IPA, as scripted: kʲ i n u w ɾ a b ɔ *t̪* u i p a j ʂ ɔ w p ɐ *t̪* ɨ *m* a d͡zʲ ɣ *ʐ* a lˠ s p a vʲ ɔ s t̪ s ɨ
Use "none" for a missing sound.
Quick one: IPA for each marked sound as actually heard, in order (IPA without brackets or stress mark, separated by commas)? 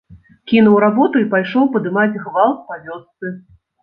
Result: t̪, d̪, m, v